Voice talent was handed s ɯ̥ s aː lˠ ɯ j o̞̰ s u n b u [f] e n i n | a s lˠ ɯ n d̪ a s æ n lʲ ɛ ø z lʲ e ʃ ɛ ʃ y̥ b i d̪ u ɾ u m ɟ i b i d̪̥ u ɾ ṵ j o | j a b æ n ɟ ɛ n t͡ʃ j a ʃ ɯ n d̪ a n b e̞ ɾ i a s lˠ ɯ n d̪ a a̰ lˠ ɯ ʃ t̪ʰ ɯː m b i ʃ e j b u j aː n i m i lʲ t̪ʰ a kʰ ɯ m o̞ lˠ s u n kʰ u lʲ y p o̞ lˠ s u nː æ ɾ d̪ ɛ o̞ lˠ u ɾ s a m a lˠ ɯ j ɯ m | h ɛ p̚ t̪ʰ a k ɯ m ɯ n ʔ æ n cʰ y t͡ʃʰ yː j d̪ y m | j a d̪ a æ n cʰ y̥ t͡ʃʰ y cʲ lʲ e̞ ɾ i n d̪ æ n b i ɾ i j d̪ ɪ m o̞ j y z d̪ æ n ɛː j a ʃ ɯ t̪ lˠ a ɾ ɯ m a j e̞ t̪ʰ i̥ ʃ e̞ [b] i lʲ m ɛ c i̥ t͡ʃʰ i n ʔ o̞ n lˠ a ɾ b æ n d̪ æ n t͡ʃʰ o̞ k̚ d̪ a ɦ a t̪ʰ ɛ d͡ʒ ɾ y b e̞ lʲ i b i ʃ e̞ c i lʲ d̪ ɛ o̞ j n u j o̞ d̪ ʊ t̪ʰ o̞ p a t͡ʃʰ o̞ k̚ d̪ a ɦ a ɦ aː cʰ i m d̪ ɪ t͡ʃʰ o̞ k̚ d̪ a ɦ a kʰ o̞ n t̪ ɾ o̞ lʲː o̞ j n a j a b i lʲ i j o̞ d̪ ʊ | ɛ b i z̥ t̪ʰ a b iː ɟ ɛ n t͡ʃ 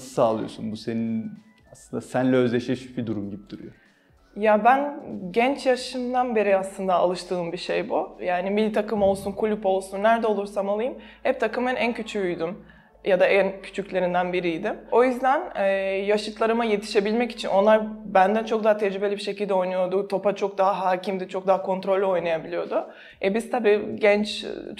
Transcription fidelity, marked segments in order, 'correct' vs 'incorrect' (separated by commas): incorrect, correct